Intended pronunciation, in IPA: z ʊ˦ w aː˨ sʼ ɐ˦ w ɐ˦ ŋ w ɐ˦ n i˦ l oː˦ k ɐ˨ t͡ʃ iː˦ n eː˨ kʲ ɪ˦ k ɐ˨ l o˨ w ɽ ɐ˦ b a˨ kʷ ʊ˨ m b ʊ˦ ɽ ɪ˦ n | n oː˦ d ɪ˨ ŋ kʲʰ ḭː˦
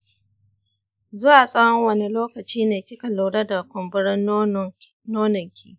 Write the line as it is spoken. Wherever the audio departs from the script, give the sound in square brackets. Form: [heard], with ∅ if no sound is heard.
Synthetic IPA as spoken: z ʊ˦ w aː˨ sʼ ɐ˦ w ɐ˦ ŋ w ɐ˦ n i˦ l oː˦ k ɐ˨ t͡ʃ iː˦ n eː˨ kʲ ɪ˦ k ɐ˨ l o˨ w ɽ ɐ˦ [d] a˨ kʷ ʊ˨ m b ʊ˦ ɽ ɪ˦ n | n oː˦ [n] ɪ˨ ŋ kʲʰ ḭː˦